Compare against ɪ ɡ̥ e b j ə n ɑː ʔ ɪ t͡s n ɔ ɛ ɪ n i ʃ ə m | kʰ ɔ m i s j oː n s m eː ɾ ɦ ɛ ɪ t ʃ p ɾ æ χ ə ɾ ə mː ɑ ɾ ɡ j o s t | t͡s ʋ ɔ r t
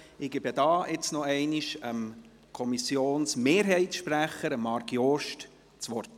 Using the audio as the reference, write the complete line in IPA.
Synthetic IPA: ɪ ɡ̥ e b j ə d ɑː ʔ ɪ t͡s n ɔ ɛ ɪ n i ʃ ə m | kʰ ɔ m i s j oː n s m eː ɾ ɦ ɛ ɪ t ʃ p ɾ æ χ ə ɾ ə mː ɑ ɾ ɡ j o ʃ t | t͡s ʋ ɔ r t